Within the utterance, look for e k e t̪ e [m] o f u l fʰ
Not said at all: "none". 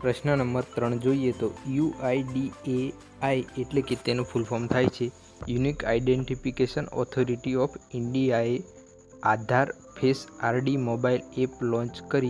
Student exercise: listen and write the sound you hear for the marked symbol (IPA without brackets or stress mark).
n